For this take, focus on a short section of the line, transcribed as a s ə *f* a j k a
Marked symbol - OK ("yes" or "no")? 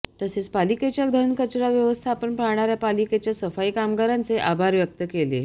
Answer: yes